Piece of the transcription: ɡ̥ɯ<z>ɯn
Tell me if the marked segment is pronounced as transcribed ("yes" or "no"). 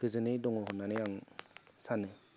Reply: yes